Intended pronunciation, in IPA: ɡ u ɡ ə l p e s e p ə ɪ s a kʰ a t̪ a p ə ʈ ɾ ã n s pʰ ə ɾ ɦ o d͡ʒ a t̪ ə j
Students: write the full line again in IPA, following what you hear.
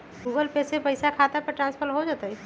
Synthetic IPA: ɡ u ɡ ə l p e s e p ə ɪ s a kʰ a t̪ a p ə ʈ ɾ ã n s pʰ ə ɾ ɦ o d͡ʒ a t̪ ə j